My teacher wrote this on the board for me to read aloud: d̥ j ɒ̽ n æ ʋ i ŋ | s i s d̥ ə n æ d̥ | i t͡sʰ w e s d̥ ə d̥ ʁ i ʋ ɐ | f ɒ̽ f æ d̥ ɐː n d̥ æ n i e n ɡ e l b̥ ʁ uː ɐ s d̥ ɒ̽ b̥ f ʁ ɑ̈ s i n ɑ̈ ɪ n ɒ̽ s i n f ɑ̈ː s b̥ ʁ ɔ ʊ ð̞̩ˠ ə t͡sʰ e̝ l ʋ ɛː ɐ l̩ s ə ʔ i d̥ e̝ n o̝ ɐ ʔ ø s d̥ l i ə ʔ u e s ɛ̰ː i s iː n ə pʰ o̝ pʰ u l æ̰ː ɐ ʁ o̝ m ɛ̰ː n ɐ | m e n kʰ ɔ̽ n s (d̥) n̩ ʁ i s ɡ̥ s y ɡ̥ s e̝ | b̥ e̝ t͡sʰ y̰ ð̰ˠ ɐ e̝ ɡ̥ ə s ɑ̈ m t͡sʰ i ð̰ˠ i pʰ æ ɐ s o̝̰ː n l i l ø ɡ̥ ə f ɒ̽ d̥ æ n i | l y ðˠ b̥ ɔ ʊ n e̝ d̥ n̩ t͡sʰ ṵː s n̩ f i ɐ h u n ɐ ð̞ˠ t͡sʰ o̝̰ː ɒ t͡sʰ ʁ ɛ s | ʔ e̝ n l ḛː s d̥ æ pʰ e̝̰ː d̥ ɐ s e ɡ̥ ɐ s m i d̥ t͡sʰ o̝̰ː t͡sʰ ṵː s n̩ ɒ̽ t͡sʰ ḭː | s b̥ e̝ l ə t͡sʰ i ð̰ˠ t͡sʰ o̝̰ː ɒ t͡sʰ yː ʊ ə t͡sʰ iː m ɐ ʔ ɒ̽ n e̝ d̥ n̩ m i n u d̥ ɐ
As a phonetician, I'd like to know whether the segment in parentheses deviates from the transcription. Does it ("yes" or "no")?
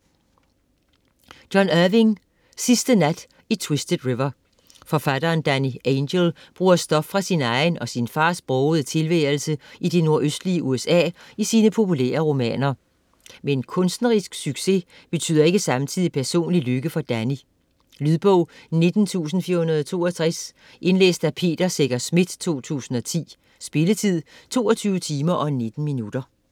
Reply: no